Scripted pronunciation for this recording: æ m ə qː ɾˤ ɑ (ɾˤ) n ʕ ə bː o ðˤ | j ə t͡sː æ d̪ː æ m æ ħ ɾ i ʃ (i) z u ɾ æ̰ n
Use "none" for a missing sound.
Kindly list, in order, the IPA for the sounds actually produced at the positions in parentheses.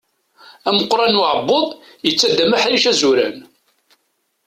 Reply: none, æ

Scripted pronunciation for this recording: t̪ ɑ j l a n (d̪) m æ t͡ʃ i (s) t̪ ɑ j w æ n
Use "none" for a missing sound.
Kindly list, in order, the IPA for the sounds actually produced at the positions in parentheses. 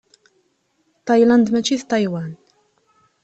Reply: d̪, θ

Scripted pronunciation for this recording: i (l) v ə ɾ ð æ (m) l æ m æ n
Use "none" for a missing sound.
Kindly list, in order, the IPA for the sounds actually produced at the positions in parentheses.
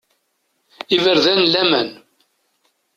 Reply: none, n

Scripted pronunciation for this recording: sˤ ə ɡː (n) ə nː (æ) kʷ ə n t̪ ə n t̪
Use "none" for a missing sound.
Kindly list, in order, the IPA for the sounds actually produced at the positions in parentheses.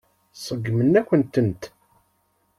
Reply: m, æ

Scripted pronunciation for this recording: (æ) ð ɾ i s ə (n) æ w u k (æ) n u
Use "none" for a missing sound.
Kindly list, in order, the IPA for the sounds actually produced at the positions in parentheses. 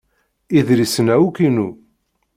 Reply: i, n, i

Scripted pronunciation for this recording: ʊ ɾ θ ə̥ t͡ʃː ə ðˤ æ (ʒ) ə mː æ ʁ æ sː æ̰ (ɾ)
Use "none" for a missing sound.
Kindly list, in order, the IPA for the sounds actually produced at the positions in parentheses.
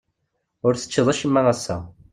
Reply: ʃ, none

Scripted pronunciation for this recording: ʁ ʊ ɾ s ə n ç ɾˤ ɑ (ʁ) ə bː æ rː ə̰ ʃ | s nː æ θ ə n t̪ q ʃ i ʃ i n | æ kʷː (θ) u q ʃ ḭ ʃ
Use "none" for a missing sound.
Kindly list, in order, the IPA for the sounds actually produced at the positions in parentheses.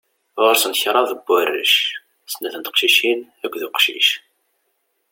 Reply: ð, ð

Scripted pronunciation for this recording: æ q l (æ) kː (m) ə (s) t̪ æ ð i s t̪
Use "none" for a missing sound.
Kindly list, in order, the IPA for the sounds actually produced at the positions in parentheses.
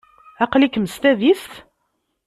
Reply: i, m, s

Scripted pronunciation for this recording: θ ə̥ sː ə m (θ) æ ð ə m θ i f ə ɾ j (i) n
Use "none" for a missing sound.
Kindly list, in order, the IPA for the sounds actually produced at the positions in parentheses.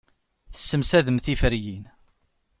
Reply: s, i

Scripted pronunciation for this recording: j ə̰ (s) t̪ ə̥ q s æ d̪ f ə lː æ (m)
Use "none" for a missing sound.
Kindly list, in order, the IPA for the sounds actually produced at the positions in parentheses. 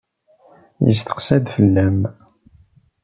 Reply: s, m

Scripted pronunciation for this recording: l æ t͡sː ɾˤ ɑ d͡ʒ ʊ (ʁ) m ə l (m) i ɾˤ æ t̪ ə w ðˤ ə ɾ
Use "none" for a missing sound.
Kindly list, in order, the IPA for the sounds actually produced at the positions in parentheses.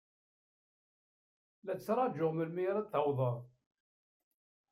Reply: ʁ, m

